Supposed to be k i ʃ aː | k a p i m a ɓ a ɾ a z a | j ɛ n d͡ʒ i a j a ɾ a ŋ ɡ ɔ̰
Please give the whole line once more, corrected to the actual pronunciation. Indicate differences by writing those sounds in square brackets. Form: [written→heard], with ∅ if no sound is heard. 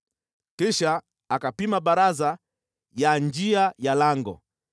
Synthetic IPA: k i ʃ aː | k a p i m a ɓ a ɾ a z a | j [ɛ→a] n d͡ʒ i a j a [ɾ→l] a ŋ ɡ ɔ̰